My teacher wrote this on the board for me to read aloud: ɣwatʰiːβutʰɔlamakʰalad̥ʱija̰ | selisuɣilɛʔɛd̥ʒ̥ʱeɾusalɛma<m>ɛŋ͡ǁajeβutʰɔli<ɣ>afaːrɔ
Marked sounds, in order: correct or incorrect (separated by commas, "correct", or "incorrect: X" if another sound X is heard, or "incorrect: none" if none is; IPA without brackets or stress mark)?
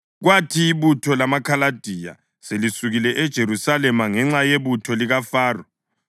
incorrect: ŋ, correct